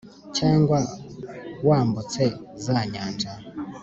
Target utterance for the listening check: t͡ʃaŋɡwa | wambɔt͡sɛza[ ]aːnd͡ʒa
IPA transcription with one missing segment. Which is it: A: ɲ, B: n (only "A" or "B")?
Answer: A